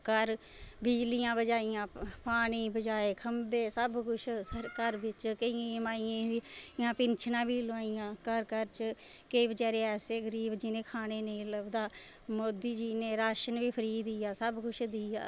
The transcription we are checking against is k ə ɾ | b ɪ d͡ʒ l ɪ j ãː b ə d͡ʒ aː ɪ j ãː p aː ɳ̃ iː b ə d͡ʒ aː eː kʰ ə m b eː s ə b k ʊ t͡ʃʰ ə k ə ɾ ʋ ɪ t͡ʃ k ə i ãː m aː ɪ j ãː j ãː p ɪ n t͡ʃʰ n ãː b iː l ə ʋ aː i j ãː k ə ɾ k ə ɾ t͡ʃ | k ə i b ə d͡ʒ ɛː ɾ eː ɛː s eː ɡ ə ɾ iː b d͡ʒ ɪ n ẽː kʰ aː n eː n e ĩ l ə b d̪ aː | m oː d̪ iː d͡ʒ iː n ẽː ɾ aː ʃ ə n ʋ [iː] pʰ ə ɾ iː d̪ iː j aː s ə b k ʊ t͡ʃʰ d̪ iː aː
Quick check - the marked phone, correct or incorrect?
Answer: correct